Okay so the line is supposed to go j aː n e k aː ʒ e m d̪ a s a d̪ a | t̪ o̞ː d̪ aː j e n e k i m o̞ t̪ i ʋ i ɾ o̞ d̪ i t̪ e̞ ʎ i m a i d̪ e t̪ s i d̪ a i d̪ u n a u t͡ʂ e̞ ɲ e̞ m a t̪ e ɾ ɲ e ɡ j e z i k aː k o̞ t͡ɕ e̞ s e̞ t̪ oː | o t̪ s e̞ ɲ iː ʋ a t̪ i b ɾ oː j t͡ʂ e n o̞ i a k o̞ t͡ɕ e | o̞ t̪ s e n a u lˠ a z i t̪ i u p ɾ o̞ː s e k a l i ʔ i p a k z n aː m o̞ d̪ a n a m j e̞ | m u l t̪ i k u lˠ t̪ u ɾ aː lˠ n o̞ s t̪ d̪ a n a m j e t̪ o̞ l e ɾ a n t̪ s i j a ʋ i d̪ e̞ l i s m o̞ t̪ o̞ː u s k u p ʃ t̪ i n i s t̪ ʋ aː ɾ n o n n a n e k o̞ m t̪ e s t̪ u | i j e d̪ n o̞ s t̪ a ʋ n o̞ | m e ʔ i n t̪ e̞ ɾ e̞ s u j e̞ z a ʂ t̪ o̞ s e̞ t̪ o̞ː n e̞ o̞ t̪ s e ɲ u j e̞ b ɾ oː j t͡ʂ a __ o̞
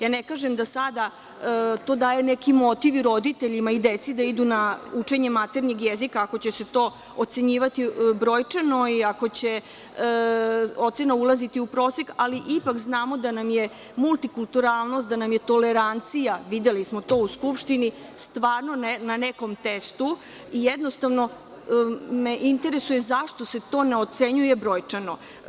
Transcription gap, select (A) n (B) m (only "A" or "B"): A